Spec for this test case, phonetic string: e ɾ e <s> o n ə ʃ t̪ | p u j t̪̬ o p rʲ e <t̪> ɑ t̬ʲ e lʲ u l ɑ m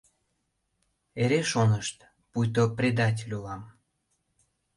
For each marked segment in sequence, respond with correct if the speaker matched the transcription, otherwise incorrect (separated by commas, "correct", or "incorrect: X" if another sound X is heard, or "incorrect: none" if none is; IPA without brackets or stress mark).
incorrect: ʃ, incorrect: d̪